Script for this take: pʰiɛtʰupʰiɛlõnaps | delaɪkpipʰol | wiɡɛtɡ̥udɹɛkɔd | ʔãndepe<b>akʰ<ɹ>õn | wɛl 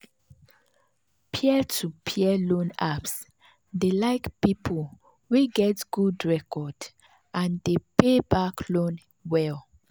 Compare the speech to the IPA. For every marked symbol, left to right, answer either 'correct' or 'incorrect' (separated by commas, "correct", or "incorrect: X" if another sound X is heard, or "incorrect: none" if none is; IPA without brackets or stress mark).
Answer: correct, incorrect: l